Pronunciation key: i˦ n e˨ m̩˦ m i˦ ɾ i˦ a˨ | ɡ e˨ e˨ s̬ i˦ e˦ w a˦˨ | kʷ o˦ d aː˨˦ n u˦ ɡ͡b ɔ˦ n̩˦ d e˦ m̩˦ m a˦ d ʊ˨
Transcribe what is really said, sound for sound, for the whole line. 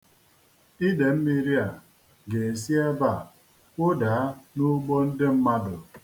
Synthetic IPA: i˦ d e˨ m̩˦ m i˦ ɾ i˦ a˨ | ɡ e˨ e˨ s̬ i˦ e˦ b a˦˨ | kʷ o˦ d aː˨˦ n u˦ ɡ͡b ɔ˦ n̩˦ d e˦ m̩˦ m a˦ d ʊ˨